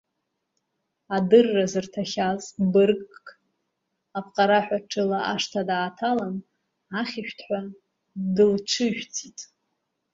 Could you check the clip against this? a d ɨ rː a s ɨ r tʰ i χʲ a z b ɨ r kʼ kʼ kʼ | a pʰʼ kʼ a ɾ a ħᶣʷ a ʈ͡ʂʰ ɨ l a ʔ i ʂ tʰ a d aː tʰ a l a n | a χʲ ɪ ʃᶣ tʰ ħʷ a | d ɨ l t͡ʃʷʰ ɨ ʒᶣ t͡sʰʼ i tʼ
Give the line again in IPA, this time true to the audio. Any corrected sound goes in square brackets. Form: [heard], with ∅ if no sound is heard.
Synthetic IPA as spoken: a d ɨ rː a [z] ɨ r tʰ [a] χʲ a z b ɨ r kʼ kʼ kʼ | a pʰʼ [qʼ] a ɾ a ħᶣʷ a ʈ͡ʂʰ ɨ l a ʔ [a] ʂ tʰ a d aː tʰ a l a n | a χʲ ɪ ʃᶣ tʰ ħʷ a | d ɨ l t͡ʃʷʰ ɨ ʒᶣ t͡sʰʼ i tʼ

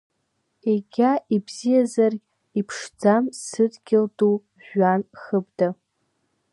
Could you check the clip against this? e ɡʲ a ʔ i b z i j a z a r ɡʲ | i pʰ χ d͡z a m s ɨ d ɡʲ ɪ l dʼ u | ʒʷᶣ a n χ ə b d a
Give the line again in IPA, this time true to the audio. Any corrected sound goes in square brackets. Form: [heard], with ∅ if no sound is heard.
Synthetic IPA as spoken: e ɡʲ a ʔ i b z i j a z a r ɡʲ | i pʰ [ʂ] d͡z a m s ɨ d ɡʲ ɪ l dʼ u | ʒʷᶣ a n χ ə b d a

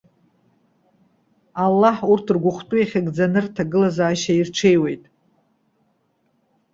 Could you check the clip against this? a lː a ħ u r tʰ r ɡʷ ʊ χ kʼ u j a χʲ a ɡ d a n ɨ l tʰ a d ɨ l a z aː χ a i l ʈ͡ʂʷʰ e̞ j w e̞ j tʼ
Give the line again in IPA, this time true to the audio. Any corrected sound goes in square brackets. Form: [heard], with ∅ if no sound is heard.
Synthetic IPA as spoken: a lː a ħ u r tʰ r ɡʷ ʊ χ [tʼ] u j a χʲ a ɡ [d͡z] a n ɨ [r] tʰ a [ɡ] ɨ l a z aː [ʃ] a i [r] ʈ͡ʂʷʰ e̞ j w e̞ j tʼ

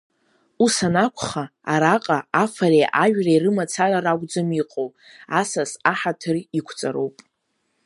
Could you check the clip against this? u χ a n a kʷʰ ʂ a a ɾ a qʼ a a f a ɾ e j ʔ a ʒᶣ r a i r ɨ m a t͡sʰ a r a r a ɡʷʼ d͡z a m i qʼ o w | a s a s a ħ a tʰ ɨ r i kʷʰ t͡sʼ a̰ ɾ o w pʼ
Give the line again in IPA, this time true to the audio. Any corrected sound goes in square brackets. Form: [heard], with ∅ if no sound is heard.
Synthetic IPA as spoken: u [s] a n a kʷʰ [χ] a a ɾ a qʼ a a f a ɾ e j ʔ a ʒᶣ r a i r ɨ m a t͡sʰ a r a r a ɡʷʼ d͡z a m i qʼ o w | a s a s a ħ a tʰ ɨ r i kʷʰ t͡sʼ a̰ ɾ o w pʼ

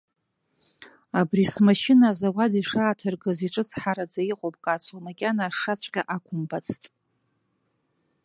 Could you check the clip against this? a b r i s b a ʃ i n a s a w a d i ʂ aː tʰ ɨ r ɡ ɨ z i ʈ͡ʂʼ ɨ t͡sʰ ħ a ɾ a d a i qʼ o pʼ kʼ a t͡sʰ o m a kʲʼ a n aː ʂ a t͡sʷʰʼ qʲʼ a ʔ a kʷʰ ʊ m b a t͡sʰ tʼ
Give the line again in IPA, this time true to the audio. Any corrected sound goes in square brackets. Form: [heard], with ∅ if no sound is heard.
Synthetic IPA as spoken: a b r i s [m] a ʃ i n a [z] a w a d i ʂ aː tʰ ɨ r ɡ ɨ z i ʈ͡ʂʼ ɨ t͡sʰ ħ a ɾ a [d͡z] a i qʼ o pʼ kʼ a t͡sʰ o m a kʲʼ a n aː ʂ a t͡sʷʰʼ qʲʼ a ʔ a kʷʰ ʊ m b a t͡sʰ tʼ

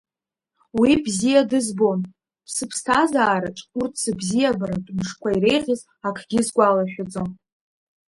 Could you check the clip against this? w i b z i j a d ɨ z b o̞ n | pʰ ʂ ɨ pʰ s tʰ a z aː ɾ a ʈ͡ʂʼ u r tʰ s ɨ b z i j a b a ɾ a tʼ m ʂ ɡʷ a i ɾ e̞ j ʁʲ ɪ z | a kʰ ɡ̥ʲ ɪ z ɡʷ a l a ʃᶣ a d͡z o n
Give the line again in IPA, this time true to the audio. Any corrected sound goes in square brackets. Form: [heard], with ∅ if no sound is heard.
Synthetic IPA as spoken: w i b z i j a d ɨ z b o̞ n | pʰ [s] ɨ pʰ s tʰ a z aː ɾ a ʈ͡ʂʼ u r tʰ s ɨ b z i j a b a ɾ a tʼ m ʂ [kʷ] a i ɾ e̞ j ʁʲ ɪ z | a kʰ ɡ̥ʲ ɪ z ɡʷ a l a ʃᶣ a d͡z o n

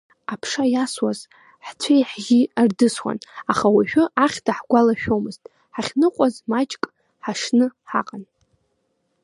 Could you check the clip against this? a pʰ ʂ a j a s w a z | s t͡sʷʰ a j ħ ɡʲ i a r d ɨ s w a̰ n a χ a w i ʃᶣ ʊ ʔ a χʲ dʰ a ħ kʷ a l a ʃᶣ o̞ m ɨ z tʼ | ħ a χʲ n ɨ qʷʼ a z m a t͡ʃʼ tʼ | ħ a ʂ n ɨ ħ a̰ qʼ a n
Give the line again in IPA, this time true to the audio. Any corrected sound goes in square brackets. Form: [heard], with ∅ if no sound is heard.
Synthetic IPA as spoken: a pʰ ʂ a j a s w a z | [ħ] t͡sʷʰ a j ħ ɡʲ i a r d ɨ s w a̰ n a χ a w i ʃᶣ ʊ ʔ a χʲ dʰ a ħ [ɡʷ] a l a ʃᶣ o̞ m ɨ z tʼ | ħ a χʲ n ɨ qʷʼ a z m a t͡ʃʼ [kʼ] | ħ a ʂ n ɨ ħ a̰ qʼ a n

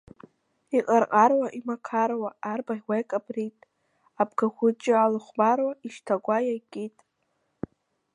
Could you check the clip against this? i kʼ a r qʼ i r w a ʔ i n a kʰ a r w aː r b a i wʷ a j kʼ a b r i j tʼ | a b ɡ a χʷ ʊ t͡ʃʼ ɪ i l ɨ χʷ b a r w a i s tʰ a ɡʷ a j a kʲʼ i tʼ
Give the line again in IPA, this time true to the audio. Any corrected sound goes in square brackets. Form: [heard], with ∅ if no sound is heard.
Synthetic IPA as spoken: i [qʼ] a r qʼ [a] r w a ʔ i [m] a kʰ a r w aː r b a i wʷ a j kʼ a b r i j tʼ | a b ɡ a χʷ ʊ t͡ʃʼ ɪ [a] l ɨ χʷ b a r w a i [ʃ] tʰ a ɡʷ a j a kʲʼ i tʼ

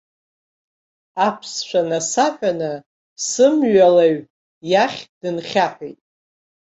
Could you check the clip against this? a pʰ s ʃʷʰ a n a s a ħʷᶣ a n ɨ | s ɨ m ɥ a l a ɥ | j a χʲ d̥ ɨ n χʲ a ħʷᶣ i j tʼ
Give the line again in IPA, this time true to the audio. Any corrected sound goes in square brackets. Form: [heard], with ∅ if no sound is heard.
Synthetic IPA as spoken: a pʰ s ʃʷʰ a n a s a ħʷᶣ a n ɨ | s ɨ m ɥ a l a ɥ | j a χʲ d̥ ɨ n χʲ a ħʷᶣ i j tʼ

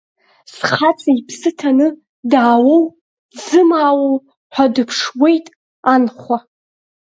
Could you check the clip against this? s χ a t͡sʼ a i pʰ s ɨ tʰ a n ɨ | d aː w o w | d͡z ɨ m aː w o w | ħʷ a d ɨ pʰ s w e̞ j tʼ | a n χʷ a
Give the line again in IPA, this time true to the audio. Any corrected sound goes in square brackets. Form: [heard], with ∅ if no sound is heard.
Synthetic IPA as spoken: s χ a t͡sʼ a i pʰ s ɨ tʰ a n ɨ | d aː w o w | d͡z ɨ m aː w o w | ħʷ a d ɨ pʰ [ʂ] w e̞ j tʼ | a n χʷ a

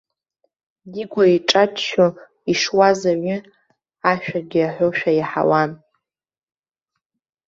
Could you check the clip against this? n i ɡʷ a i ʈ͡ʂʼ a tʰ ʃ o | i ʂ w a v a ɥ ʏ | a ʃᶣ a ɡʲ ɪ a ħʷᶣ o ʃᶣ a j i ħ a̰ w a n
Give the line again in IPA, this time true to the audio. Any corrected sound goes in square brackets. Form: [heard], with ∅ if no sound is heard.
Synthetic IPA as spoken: [d] i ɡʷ a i ʈ͡ʂʼ a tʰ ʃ o | i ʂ w a [z] a ɥ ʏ | a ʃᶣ a ɡʲ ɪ a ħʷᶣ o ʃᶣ a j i ħ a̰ w a n

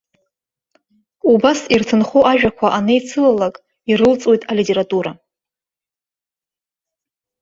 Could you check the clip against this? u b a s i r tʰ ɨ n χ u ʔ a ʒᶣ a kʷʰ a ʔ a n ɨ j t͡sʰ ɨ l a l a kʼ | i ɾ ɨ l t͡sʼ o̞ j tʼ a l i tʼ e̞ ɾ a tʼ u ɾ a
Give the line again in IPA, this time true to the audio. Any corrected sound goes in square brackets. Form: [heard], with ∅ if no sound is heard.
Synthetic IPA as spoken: u b a s i r tʰ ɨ n χ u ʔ a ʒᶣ a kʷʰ a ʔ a n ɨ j t͡sʰ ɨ l a l a kʼ | i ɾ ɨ l t͡sʼ o̞ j tʼ a l i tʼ e̞ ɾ a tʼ u ɾ a

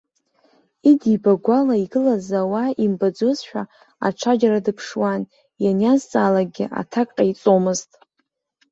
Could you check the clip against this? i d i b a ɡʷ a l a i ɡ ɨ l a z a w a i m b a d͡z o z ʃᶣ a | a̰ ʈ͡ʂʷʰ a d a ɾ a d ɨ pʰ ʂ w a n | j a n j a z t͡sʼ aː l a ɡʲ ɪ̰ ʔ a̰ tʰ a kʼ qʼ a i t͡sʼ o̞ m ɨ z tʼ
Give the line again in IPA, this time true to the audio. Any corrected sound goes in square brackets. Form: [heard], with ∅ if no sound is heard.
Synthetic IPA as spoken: i d i b a ɡʷ a l a i ɡ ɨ l a z a w a i m b a d͡z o z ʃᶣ a | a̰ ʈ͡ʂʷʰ a [d͡ʒ] a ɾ a d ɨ pʰ ʂ w a n | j a n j a z t͡sʼ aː l a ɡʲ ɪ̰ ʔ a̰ tʰ a kʼ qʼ a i t͡sʼ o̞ m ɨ z tʼ

